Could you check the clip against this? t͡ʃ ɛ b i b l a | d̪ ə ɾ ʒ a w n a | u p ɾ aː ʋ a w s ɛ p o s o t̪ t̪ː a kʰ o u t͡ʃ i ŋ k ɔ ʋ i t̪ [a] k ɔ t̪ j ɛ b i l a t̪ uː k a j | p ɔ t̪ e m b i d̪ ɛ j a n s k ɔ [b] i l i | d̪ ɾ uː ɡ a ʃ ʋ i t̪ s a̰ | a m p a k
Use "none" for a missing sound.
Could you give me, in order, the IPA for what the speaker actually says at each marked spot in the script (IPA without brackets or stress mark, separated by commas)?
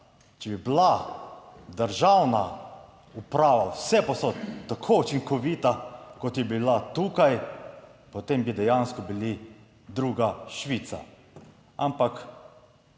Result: a, b